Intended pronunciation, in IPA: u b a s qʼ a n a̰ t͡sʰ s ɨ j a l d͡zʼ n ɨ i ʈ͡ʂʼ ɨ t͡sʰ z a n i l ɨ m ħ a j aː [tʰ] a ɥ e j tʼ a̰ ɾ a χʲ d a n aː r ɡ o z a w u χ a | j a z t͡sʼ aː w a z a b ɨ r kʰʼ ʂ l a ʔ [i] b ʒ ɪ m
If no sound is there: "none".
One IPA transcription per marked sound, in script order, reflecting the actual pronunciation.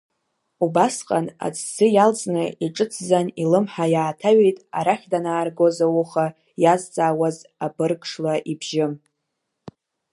tʰ, i

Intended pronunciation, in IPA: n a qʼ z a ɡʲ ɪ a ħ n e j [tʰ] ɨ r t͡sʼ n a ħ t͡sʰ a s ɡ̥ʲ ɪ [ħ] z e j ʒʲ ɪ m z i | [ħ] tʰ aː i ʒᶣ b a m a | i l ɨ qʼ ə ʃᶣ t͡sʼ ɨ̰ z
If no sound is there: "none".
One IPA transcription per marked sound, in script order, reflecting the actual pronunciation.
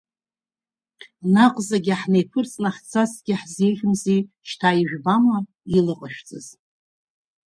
pʰ, ħ, ʃ

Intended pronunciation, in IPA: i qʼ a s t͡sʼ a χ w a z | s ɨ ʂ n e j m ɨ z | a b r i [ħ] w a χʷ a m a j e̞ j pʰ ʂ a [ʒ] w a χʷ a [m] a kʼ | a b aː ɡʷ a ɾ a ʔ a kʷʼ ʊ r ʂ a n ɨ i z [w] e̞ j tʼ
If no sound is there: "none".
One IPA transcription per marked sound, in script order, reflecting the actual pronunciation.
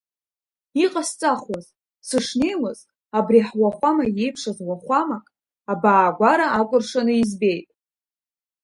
ħ, z, m, b

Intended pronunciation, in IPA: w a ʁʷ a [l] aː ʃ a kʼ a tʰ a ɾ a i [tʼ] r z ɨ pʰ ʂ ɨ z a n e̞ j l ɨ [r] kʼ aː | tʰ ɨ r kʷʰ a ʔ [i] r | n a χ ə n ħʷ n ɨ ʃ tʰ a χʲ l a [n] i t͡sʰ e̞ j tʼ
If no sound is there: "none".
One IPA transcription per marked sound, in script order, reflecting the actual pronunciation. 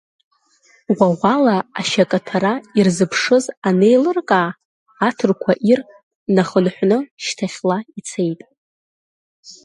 l, none, r, i, none

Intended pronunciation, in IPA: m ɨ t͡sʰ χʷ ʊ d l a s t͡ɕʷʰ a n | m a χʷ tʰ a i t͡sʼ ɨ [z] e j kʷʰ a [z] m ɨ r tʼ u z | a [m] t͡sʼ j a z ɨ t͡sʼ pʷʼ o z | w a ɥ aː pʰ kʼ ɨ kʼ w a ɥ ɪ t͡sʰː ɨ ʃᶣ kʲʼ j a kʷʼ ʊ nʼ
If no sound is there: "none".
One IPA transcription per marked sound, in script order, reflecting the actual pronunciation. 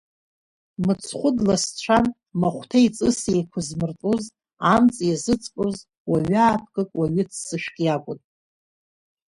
s, z, m

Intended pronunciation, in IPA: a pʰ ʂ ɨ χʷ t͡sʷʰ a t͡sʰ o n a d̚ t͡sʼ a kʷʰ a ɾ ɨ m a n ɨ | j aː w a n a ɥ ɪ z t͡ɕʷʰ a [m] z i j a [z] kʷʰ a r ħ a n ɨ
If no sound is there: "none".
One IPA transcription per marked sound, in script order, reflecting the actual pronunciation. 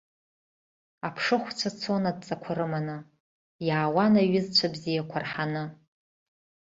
b, none

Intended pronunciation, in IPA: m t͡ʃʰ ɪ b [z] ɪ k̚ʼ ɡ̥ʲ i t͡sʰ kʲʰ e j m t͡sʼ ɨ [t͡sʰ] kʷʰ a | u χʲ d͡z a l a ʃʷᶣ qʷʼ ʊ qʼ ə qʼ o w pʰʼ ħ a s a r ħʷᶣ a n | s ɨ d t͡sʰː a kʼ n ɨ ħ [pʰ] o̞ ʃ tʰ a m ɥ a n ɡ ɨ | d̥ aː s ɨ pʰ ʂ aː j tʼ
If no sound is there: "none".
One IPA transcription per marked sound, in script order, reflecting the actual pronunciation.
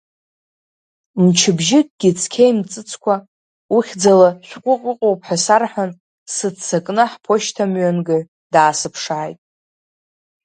ʒ, t͡sʰ, pʰ

